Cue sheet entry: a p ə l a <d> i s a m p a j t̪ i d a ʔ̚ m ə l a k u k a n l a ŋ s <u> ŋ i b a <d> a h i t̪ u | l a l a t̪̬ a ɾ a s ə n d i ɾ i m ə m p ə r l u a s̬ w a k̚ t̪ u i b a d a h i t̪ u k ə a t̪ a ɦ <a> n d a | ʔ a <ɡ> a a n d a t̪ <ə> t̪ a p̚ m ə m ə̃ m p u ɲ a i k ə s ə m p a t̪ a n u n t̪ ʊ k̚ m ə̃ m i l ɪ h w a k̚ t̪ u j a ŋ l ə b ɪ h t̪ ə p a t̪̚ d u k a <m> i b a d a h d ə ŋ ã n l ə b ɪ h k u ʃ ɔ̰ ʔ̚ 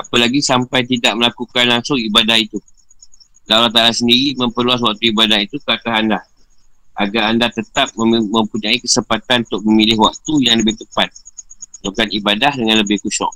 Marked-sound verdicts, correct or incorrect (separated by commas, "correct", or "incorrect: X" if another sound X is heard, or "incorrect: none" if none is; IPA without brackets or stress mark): incorrect: ɡ, incorrect: ʊ, correct, correct, correct, correct, incorrect: n